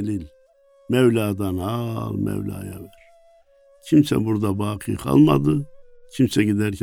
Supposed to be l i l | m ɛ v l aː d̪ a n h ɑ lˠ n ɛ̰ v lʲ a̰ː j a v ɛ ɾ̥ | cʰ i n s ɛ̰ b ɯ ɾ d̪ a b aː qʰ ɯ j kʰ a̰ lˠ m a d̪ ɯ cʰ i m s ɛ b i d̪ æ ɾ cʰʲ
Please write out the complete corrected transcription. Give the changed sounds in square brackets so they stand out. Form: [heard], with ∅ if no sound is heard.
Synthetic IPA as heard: l i l | m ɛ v l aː d̪ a n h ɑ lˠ [m] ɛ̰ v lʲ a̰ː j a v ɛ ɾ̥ | cʰ i [m] s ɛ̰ b [u] ɾ d̪ a b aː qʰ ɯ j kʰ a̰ lˠ m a d̪ ɯ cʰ i m s ɛ [ɟ] i d̪ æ ɾ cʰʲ